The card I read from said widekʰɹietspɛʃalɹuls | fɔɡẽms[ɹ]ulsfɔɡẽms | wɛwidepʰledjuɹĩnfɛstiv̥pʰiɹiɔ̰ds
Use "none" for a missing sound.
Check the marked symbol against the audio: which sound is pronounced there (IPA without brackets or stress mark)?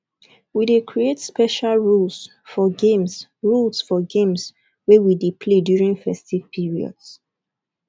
ɹ